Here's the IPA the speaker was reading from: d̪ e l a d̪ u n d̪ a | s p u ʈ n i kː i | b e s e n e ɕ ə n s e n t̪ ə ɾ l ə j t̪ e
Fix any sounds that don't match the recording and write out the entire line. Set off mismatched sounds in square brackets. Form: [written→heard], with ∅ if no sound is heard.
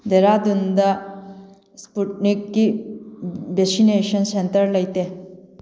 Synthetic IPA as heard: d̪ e [l→ɾ] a d̪ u n d̪ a | s p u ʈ n i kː i | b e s [e→i] n e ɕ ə n s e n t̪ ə ɾ l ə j t̪ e

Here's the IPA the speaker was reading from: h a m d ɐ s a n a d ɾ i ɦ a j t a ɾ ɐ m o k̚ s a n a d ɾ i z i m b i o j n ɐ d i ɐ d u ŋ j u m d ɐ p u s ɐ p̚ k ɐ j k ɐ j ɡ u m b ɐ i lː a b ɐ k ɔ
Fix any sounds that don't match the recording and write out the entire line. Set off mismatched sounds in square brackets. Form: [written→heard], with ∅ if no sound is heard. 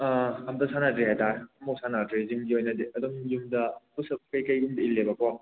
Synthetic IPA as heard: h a m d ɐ s a n a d ɾ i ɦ a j t a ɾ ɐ m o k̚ s a n a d ɾ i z i m [b→ɡ] i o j n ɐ d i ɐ d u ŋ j u m d ɐ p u s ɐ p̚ k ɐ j k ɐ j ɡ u m [b→d] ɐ i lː [a→e] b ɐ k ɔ

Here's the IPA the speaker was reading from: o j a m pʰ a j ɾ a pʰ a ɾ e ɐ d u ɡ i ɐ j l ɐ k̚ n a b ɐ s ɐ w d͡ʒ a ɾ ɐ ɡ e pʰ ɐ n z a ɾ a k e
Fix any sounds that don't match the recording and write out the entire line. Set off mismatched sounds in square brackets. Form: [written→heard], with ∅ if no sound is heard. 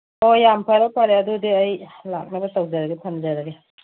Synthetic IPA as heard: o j a m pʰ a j ɾ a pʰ a ɾ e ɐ d u [ɡ→d] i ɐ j l [ɐ→a] k̚ n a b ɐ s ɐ w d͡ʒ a ɾ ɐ ɡ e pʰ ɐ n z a ɾ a [k→ɡ] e

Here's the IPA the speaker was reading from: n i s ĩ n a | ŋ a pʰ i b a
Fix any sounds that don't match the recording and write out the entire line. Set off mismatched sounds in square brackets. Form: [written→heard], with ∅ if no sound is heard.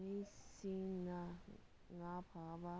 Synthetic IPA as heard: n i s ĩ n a | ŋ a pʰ [i→a] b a

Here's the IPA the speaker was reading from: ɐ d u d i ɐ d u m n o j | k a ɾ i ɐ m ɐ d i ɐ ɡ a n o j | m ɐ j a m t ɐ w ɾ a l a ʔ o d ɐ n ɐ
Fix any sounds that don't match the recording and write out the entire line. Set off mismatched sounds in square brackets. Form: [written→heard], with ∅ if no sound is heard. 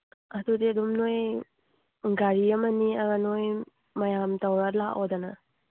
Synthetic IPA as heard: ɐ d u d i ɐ d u m n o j | [k→ɡ] a ɾ i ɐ m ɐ [d→n] i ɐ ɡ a n o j | m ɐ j a m t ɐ w ɾ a l a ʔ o d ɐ n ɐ

